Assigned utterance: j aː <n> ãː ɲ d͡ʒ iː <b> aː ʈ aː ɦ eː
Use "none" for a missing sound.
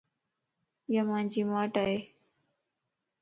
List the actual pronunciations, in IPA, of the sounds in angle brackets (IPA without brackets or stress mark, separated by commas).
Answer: m, m